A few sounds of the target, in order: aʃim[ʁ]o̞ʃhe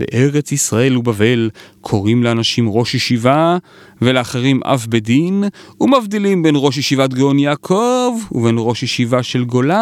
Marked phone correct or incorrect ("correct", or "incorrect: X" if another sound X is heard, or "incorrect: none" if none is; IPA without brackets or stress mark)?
correct